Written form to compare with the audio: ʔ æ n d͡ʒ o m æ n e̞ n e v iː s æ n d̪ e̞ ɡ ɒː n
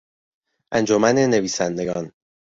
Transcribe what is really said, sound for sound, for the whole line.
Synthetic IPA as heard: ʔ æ n d͡ʒ o m æ n e̞ n e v iː s æ n d̪ e̞ ɡ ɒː n